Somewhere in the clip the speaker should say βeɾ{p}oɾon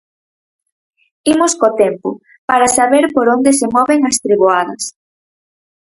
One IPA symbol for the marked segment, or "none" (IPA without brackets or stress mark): p